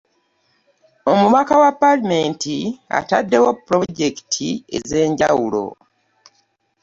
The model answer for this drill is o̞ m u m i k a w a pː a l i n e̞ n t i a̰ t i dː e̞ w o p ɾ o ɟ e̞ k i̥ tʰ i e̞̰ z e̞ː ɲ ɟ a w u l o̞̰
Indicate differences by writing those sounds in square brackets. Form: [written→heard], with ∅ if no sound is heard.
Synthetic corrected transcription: o̞ m u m [i→a] k a w a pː a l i [n→m] e̞ n t i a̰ t [i→a] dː e̞ w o p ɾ o ɟ e̞ k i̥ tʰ i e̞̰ z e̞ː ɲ ɟ a w u l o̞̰

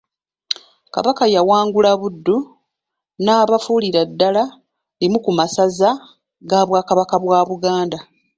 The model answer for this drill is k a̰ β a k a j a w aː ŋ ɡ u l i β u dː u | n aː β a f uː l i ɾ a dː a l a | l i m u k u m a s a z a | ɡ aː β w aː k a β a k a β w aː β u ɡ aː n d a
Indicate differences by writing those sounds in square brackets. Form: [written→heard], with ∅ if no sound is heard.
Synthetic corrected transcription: k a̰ β a k a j a w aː ŋ ɡ u l [i→a] β u dː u | n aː β a f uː l i ɾ a dː a l a | l i m u k u m a s a z a | ɡ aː β w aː k a β a k a β w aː β u ɡ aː n d a

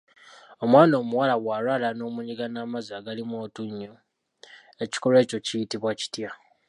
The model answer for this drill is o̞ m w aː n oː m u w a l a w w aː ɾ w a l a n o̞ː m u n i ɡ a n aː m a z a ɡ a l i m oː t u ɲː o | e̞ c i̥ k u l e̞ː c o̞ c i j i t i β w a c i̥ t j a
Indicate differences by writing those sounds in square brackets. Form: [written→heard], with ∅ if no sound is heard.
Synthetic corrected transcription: o̞ m w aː n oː m u w a l a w w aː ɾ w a l a n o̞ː m u [n→ɲ] i ɡ a n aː m a z a ɡ a l i m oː t u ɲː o | e̞ c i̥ k [u→o] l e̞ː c o̞ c i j i t i β w a c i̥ t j a

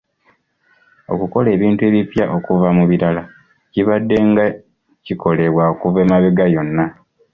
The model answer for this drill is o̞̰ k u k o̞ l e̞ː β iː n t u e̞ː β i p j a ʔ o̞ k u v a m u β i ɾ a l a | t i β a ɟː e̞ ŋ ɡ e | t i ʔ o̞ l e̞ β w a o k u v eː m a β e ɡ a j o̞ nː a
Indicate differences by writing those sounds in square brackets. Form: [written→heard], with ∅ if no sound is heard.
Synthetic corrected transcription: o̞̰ k u k o̞ l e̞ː β iː n t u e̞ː β i p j a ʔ o̞ k u v a m u β i ɾ a l a | [t→c] i β a [ɟː→dː] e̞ ŋ ɡ [e→a] | [t→c] i [ʔ→k] o̞ l e̞ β w a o k u v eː m a β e ɡ a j o̞ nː a

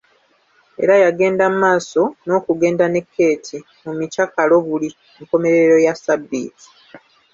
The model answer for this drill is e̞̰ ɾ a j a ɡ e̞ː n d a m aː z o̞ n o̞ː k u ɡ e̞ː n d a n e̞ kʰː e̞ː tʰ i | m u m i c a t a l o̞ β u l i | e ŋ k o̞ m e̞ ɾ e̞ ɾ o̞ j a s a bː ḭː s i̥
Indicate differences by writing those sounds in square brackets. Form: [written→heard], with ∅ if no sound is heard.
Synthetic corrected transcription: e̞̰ ɾ a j a ɡ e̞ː n d a m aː [z→s] o̞ n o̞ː k u ɡ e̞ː n d a n e̞ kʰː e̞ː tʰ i | m u m i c a [t→k] a l o̞ β u l i | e ŋ k o̞ m e̞ ɾ e̞ ɾ o̞ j a s a bː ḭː [s→t] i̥

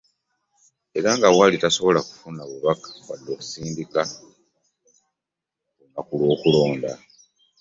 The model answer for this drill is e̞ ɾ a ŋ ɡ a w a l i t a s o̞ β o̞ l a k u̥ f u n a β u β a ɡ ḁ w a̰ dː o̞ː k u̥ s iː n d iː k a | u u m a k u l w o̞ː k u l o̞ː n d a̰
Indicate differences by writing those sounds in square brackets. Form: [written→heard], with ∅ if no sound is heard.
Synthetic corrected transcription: e̞ ɾ a ŋ ɡ a w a l i t a s o̞ β o̞ l a k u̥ f u n a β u β a [ɡ→k] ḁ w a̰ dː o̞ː k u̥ s iː n d [iː→i] k a | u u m a k u l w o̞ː k u l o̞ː n d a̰

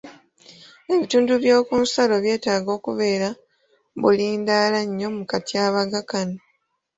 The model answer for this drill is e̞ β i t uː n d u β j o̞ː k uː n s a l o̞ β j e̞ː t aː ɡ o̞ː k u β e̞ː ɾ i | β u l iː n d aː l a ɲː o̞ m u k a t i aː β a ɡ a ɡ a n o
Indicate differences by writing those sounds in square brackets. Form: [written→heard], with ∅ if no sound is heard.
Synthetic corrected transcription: e̞ β i t uː n d u β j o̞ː k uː n s a l o̞ β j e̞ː t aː ɡ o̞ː k u β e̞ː ɾ [i→a] | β u l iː n d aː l a ɲː o̞ m u k a t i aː β a ɡ a [ɡ→k] a n o

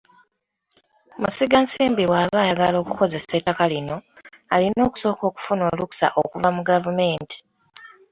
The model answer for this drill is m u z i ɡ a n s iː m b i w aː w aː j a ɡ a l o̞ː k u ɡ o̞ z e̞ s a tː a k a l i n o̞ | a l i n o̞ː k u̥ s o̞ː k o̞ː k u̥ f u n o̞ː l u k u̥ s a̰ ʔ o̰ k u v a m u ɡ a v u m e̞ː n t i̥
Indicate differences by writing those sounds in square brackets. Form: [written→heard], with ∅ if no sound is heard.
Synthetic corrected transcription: m u [z→s] i ɡ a n s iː m b i w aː [w→β] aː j a ɡ a l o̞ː k u [ɡ→k] o̞ z e̞ s [a→e] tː a k a l i n o̞ | a l i n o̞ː k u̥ s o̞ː k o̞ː k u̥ f u n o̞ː l u k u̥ s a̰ ʔ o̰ k u v a m u ɡ a v u m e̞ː n t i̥

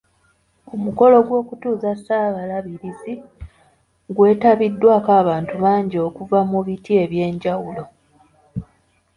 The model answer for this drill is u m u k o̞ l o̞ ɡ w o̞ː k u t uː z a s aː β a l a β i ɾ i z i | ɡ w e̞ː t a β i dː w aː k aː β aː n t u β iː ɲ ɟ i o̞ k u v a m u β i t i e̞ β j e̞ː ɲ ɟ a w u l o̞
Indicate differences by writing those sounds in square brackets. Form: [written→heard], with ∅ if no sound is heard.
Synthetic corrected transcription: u m u k o̞ l o̞ ɡ w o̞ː k u t uː z a s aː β a l a β i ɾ i z i | ɡ w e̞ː t a β i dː w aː k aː β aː n t u β [iː→aː] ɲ ɟ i o̞ k u v a m u β i t i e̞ β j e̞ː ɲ ɟ a w u l o̞

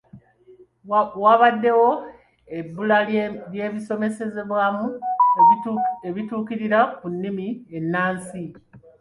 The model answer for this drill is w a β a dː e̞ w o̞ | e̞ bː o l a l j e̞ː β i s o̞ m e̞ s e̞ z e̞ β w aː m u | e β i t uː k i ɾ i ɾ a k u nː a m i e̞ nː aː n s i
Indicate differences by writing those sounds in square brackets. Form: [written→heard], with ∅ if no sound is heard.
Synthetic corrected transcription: w a β a dː e̞ w o̞ | e̞ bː [o→u] l a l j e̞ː β i s o̞ m e̞ s e̞ z e̞ β w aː m u | e β i t uː k i ɾ i ɾ a k u nː [a→i] m i e̞ nː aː n s i

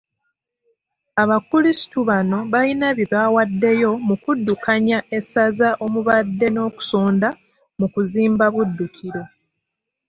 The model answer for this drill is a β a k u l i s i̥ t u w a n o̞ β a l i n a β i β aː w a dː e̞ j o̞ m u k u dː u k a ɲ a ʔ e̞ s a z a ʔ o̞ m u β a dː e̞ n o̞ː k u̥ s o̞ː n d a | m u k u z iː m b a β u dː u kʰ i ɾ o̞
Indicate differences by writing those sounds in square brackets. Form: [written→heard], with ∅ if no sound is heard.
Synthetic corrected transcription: a β a k u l i s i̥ t u [w→β] a n o̞ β a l i n a β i β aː w a dː e̞ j o̞ m u k u dː u k a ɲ a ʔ e̞ s a z a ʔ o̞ m u β a dː e̞ n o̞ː k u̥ s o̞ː n d a | m u k u z iː m b a β u dː u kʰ i ɾ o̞

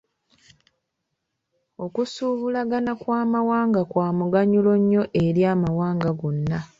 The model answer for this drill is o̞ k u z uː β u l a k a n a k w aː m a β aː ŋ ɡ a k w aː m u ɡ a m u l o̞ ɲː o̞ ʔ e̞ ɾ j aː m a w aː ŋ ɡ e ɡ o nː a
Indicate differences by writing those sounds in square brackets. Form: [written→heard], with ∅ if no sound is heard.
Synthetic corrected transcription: o̞ k u [z→s] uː β u l a [k→ɡ] a n a k w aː m a [β→w] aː ŋ ɡ a k w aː m u ɡ a [m→ɲ] u l o̞ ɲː o̞ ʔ e̞ ɾ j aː m a w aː ŋ ɡ [e→a] ɡ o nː a

